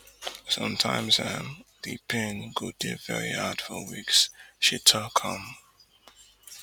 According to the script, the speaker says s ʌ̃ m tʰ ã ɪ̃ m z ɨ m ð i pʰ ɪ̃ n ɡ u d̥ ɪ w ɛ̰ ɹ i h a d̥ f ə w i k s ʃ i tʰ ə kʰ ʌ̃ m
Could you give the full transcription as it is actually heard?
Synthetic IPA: s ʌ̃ m tʰ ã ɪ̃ m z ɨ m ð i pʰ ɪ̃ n ɡ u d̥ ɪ v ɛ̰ ɹ i h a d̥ f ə w i k s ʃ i tʰ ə kʰ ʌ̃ m